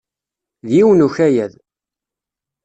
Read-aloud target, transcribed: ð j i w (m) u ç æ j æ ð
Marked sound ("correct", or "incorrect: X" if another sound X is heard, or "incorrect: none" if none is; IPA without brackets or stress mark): incorrect: n